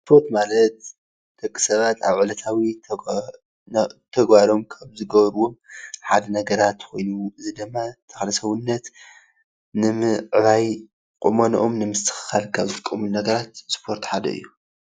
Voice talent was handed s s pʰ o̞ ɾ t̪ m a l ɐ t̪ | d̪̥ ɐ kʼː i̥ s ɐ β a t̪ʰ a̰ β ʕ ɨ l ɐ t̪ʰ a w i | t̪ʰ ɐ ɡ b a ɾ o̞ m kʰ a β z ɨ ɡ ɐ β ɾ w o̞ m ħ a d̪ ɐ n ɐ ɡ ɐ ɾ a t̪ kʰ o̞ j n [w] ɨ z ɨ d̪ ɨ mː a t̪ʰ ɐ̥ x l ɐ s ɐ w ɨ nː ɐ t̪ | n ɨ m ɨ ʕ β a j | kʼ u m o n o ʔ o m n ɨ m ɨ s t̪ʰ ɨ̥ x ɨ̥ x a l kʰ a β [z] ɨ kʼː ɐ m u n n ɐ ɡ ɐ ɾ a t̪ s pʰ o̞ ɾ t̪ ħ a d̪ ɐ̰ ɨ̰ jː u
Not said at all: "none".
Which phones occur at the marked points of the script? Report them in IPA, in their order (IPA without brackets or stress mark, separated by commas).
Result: u, z